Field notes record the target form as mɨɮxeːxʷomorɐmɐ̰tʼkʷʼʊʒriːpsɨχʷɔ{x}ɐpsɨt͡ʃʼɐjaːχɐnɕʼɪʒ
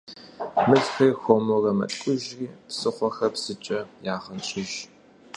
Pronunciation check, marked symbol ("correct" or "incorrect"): correct